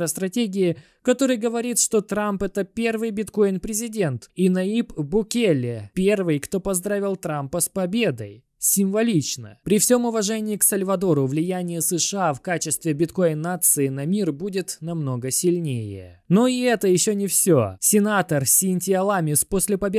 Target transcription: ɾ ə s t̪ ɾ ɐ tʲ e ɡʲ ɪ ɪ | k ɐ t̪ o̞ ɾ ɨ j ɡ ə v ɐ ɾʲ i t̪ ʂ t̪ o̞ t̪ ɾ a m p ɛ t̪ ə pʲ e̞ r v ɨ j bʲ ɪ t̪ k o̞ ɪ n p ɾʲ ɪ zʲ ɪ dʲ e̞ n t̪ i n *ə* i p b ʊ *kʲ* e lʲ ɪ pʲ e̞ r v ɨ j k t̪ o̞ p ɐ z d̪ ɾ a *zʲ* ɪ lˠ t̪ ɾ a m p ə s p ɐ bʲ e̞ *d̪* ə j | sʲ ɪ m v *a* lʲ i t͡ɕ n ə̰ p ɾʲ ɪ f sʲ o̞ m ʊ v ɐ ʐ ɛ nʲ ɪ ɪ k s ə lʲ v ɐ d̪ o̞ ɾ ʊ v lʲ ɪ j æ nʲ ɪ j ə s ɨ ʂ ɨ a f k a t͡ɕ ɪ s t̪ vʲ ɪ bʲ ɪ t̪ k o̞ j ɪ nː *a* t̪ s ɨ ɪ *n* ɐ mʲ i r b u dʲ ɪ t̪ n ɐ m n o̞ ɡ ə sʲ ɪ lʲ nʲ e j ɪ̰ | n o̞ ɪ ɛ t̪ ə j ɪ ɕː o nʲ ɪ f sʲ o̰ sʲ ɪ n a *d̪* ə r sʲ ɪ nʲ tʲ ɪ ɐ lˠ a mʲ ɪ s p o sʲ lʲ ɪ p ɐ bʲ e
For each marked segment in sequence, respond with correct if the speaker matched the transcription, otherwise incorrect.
incorrect: ɐ, correct, incorrect: vʲ, correct, incorrect: ɐ, correct, correct, incorrect: t̪

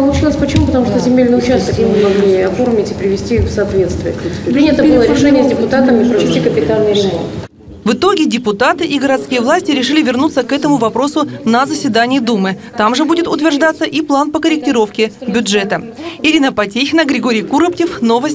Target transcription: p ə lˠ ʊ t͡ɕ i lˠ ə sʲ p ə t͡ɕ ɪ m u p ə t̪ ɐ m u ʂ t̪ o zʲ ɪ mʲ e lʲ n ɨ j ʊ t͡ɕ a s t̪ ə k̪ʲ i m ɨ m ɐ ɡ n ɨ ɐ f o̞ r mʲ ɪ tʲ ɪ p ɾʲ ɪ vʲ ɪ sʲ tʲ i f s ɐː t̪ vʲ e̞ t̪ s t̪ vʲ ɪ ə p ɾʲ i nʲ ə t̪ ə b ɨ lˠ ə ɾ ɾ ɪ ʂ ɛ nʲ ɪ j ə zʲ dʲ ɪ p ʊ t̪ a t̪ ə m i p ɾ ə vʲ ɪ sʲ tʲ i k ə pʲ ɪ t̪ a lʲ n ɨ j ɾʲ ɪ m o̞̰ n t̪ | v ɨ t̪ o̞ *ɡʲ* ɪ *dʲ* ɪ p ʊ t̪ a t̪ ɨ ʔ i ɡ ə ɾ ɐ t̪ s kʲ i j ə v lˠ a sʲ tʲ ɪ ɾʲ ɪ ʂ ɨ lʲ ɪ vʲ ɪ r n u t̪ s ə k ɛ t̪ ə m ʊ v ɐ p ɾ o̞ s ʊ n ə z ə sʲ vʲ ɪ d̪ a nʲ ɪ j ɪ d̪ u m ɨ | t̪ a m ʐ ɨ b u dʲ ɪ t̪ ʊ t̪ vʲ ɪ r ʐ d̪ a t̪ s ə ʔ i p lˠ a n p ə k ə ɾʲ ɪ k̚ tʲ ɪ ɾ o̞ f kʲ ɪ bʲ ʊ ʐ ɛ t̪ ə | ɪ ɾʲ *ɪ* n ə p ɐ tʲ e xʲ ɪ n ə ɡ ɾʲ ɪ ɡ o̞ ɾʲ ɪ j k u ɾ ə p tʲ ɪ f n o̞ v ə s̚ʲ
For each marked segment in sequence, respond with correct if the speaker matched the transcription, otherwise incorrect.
correct, correct, incorrect: i

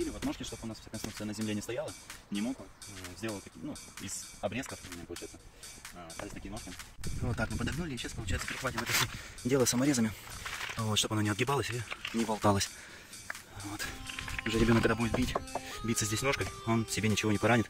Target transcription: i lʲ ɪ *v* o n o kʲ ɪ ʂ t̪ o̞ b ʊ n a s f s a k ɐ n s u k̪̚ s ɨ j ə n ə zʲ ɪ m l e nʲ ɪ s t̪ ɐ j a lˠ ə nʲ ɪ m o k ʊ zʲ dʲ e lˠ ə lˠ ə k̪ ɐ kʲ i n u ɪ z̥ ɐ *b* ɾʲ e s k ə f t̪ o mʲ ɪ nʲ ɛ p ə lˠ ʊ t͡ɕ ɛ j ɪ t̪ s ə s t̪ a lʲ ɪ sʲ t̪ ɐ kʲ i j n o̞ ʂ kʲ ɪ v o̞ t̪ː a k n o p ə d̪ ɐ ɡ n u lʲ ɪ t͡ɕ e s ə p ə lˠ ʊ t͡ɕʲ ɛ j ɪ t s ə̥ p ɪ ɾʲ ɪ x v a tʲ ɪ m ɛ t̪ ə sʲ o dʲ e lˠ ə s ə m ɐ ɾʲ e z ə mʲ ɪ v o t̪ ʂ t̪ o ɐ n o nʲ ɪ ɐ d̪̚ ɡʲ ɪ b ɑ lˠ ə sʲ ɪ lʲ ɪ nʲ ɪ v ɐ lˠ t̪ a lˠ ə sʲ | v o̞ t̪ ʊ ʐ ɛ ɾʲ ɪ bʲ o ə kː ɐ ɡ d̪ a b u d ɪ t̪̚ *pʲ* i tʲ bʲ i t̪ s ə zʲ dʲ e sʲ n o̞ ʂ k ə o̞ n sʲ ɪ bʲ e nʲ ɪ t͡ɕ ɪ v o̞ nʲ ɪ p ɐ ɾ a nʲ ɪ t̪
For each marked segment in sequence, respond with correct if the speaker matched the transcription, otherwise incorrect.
correct, correct, incorrect: bʲ

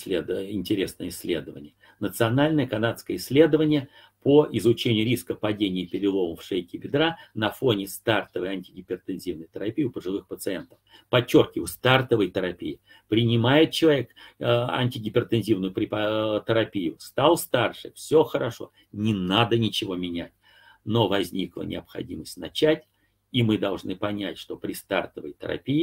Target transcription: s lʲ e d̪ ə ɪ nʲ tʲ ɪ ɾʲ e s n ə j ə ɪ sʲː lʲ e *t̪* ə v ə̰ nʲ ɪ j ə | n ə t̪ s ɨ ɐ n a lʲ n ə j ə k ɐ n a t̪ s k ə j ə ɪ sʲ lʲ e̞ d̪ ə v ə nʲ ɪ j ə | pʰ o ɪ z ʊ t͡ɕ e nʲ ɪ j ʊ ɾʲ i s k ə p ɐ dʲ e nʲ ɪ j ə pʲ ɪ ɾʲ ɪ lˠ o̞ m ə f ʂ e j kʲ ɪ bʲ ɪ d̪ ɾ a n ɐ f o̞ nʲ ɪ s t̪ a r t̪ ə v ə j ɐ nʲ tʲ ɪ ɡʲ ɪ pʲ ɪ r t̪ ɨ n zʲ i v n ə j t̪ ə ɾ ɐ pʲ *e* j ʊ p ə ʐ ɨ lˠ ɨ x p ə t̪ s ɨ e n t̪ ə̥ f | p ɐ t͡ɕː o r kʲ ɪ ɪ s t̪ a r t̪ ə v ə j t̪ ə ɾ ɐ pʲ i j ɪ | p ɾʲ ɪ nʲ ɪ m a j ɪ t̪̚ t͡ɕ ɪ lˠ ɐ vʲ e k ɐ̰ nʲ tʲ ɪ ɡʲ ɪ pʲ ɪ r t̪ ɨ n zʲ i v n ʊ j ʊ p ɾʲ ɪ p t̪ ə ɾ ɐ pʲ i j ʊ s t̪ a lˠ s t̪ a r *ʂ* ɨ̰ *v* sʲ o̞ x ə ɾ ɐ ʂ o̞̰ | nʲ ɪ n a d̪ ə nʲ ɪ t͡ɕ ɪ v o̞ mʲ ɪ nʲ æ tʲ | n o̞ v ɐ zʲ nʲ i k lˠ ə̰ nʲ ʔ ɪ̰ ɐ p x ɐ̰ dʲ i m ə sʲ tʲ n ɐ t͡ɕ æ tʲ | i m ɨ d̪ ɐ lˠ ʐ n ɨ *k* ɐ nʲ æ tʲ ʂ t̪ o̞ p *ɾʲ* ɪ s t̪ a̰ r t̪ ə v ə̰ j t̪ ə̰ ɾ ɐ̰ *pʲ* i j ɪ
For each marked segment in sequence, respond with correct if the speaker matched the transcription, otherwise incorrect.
incorrect: d̪, incorrect: i, correct, incorrect: f, incorrect: p, correct, correct

